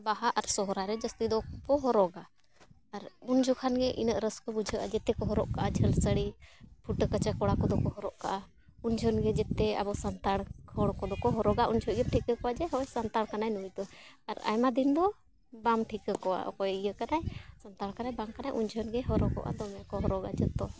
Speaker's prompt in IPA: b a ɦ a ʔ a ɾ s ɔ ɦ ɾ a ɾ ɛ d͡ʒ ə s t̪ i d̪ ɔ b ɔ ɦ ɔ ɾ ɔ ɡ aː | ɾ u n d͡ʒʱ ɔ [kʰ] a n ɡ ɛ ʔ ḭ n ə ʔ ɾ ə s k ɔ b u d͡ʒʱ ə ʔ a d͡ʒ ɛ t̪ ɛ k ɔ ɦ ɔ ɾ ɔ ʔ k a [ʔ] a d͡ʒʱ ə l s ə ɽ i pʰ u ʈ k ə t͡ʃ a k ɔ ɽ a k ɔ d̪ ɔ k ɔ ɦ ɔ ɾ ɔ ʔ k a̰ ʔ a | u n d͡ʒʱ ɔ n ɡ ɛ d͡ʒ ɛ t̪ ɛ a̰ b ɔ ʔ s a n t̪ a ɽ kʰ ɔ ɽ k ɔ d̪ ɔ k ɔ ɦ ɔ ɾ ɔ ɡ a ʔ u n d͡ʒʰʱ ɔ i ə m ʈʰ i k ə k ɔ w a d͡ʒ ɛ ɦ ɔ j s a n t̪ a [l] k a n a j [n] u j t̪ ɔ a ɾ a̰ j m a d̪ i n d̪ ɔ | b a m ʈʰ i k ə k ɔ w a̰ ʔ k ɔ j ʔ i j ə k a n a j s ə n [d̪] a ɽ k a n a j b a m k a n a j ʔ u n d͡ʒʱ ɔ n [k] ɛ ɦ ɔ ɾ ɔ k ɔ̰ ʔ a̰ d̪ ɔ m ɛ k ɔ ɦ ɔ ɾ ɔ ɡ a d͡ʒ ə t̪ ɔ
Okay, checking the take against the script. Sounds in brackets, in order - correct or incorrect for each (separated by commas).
correct, correct, incorrect, correct, incorrect, incorrect